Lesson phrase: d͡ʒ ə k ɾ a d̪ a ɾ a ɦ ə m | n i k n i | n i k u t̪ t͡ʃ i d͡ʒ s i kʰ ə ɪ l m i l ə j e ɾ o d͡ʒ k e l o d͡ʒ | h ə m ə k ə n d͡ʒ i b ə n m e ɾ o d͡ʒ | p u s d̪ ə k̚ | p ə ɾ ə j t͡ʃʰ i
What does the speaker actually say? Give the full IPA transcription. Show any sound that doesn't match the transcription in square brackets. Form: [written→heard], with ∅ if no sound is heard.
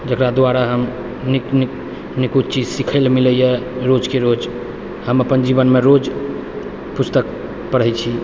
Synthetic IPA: d͡ʒ ə k ɾ a d̪ a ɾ a ɦ ə m | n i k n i | n i k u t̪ t͡ʃ i d͡ʒ s i kʰ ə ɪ l m i l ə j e ɾ o d͡ʒ k e [l→ɾ] o d͡ʒ | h ə m ə [k→p] ə n d͡ʒ i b ə n m e ɾ o d͡ʒ | p u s [d̪→t̪] ə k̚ | p ə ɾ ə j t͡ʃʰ i